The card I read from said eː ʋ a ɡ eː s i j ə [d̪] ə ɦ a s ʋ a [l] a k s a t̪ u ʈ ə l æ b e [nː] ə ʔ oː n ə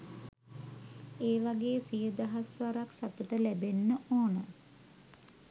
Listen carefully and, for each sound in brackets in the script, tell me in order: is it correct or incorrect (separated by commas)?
correct, incorrect, correct